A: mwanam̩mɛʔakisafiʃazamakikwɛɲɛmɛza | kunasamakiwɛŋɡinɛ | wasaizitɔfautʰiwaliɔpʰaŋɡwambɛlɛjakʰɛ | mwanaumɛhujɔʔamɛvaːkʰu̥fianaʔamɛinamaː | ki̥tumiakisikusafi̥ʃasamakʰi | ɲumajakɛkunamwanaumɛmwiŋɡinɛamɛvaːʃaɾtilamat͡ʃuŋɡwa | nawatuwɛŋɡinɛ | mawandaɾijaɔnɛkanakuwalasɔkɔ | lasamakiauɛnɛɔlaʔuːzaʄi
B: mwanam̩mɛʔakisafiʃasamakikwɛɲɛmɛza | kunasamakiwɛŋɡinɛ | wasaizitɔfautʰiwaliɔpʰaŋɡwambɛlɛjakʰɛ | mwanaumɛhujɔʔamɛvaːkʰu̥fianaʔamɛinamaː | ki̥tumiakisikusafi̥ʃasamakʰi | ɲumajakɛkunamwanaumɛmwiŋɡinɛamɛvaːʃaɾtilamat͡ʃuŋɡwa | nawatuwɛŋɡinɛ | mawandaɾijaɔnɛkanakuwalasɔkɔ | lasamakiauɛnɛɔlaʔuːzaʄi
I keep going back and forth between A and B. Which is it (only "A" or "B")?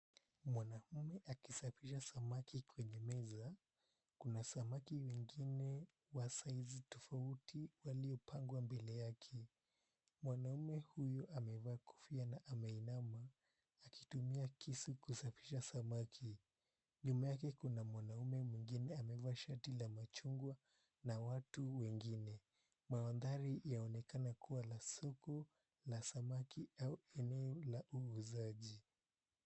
B